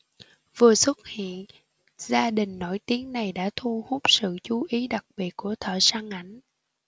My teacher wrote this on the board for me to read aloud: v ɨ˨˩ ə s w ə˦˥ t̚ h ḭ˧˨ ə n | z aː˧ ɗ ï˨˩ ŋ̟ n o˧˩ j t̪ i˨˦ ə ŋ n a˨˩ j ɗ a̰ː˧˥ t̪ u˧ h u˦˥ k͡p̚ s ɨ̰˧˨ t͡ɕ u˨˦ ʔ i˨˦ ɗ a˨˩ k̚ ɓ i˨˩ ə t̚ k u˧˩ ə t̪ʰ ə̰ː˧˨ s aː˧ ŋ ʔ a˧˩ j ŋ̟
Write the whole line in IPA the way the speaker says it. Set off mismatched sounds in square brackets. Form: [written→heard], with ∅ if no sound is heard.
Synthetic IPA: v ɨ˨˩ ə s w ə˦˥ t̚ h ḭ˧˨ ə n | z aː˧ ɗ ï˨˩ ŋ̟ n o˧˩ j t̪ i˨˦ ə ŋ n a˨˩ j ɗ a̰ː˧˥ [t̪→t̪ʰ] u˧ h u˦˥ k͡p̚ s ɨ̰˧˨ t͡ɕ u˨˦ ʔ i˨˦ ɗ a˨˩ k̚ ɓ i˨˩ ə t̚ k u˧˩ ə t̪ʰ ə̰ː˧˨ s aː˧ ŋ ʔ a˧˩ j ŋ̟